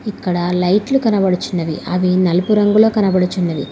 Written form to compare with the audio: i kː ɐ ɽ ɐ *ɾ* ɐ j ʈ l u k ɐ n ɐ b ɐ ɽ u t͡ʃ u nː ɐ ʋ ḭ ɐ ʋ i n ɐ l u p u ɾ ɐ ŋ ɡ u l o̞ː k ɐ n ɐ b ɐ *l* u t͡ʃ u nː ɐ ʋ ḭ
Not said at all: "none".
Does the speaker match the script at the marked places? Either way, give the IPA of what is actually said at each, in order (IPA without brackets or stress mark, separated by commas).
l, ɽ